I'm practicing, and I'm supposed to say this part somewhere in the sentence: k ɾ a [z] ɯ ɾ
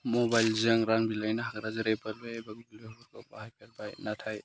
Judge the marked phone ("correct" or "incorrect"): correct